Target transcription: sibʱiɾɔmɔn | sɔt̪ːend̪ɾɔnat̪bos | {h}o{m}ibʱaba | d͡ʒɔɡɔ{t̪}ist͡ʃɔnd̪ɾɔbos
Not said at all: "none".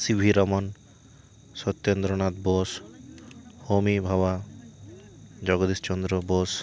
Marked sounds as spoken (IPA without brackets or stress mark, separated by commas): h, m, d̪